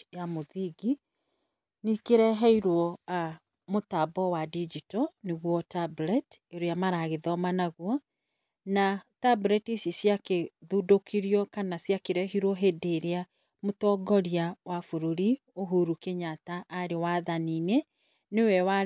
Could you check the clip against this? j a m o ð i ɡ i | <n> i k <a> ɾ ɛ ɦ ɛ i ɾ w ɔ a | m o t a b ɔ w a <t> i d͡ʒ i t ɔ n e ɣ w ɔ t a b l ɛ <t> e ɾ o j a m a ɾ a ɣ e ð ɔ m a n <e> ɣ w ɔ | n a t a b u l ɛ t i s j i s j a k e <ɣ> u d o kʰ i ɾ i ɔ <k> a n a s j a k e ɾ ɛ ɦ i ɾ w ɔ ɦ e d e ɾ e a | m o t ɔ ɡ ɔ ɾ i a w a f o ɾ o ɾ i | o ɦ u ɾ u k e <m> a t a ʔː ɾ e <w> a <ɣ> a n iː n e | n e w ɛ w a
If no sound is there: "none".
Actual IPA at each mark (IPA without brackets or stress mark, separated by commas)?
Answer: n, e, d, t, a, ð, k, ɲ, w, ð